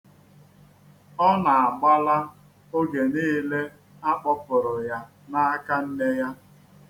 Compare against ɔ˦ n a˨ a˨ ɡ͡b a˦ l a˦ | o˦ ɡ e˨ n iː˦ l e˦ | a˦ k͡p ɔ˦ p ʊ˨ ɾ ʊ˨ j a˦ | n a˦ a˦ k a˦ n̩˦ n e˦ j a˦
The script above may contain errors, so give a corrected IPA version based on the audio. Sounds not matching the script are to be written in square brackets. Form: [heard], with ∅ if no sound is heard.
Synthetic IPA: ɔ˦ n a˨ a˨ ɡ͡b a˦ l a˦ | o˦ ɡ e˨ n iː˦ l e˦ | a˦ k͡p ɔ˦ p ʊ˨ ɾ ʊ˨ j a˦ | n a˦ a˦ k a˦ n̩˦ n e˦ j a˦